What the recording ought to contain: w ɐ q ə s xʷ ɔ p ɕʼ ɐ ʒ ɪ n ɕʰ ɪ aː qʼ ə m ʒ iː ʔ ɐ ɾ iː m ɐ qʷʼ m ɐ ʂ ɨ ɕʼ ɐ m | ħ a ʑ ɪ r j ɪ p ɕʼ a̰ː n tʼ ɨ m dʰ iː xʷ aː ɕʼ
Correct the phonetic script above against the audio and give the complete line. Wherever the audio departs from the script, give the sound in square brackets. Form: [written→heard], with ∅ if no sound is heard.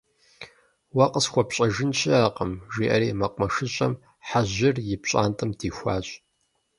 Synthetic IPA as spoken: w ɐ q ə s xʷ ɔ p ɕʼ ɐ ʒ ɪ n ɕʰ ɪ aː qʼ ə m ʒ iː ʔ ɐ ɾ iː m ɐ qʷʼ m ɐ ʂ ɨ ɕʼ ɐ m | ħ a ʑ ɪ r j ɪ p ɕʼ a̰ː n tʼ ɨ m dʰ iː xʷ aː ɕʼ